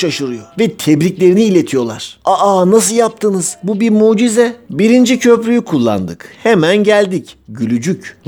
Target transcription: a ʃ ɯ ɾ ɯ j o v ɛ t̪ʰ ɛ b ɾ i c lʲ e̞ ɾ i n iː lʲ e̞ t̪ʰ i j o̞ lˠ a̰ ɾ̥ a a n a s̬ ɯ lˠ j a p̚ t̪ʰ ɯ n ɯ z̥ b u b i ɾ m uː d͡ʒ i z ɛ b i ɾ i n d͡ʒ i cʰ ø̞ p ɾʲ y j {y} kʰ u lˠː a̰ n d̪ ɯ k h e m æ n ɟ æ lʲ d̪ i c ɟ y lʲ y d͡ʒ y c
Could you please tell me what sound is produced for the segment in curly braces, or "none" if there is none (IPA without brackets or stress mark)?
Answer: y